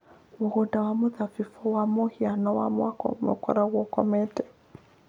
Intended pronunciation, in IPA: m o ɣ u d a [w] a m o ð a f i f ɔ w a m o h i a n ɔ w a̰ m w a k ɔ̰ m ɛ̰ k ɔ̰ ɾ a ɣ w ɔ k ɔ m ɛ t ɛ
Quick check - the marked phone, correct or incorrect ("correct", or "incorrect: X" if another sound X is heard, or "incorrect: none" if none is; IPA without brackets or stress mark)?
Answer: correct